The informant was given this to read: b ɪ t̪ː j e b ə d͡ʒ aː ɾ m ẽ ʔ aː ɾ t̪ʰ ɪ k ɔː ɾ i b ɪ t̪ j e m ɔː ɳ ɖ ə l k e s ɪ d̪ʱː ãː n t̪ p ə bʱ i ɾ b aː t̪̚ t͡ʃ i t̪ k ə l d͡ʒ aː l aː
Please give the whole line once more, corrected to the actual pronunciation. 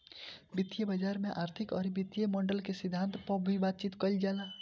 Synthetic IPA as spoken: b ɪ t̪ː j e b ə d͡ʒ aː ɾ m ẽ ʔ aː ɾ t̪ʰ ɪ k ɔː ɾ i b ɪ t̪ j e m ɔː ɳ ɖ ə l k e s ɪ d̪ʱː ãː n t̪ p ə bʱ i b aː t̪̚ t͡ʃ i t̪ k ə l d͡ʒ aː l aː